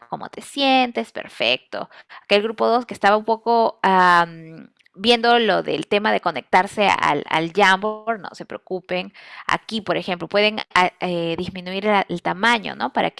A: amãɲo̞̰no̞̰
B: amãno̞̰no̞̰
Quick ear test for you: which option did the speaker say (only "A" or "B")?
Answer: A